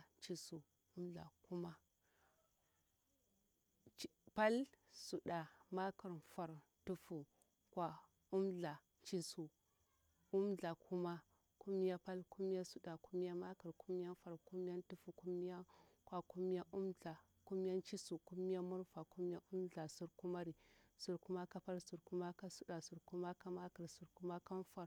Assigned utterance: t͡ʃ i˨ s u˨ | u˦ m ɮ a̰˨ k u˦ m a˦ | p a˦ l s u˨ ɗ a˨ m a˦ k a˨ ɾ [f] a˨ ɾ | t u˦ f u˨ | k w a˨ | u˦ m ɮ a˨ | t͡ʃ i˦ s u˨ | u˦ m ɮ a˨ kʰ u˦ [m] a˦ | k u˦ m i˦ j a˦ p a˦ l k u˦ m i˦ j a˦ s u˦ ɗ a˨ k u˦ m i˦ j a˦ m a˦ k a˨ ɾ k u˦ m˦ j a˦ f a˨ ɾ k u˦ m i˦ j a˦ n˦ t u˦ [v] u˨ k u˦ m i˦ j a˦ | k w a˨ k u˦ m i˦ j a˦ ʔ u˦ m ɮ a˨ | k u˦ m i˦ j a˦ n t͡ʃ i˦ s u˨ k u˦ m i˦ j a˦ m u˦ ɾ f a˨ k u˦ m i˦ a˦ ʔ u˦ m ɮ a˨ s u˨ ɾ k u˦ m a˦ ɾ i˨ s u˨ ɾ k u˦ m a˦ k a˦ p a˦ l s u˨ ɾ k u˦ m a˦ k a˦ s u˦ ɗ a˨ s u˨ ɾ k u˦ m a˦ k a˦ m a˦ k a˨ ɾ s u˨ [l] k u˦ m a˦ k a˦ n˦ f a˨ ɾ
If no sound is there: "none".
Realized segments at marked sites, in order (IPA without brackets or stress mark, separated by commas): f, m, f, ɾ